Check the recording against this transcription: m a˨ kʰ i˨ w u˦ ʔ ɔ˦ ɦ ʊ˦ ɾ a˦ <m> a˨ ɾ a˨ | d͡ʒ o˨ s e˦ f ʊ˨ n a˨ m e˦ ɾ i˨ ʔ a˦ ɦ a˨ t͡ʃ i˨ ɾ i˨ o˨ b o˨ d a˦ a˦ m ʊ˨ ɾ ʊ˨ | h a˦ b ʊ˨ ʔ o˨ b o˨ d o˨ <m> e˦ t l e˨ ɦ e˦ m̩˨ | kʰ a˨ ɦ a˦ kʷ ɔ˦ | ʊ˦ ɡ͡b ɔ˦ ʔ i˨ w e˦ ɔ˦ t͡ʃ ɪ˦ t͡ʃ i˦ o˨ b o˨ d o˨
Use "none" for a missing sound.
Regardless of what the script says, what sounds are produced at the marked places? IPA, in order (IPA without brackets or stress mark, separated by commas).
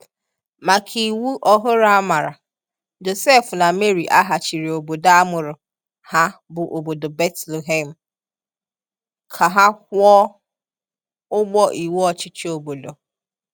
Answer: m, b